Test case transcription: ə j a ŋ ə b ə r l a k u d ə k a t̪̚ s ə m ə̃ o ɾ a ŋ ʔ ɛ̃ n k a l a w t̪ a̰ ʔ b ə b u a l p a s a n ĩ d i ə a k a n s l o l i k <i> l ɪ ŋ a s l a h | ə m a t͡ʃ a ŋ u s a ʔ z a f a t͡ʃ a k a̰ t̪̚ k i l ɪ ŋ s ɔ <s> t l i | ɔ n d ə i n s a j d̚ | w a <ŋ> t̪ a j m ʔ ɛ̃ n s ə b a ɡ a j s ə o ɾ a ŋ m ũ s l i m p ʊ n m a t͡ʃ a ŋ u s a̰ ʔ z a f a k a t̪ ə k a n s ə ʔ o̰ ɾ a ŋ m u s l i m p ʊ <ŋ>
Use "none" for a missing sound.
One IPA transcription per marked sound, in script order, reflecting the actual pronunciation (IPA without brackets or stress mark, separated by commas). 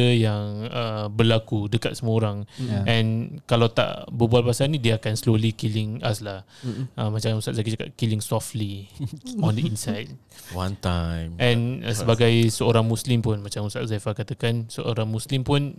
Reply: i, f, n, n